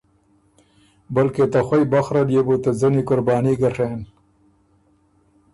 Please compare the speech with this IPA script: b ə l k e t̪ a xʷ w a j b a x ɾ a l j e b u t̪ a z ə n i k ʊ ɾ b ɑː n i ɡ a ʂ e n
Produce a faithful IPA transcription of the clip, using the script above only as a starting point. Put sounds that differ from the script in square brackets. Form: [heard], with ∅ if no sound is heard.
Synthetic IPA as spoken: b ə l k e t̪ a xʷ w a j b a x ɾ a l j e b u t̪ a z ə n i k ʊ ɾ b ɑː n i ɡ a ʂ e n